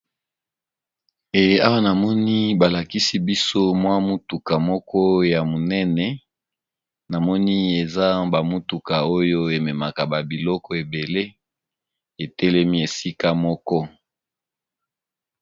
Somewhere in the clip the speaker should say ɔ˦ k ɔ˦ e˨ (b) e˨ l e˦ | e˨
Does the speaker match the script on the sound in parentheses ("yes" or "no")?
yes